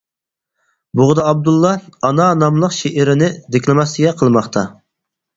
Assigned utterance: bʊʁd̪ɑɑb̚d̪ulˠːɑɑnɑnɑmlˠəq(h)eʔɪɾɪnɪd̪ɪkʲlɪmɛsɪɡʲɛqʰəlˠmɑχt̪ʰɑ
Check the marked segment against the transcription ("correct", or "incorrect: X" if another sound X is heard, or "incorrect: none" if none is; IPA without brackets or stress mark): incorrect: ʃ